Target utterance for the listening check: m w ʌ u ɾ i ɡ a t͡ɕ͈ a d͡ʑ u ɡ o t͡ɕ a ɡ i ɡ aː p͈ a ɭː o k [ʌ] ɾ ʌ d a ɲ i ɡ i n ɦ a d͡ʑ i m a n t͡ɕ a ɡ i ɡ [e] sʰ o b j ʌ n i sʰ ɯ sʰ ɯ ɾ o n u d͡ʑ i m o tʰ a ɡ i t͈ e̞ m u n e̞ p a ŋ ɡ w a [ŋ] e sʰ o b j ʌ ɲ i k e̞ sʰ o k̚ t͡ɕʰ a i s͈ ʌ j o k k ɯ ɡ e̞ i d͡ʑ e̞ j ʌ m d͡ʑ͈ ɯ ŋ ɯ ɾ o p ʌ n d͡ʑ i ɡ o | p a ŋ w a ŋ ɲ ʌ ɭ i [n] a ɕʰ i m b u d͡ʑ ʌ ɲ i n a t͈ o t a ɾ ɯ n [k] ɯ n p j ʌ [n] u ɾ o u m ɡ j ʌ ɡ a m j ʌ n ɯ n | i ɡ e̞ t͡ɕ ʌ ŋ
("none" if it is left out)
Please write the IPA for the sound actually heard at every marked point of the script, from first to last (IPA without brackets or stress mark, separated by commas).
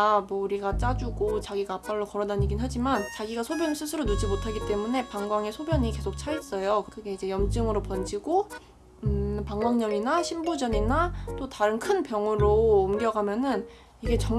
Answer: ʌ, a, ŋ, n, kʰ, ŋ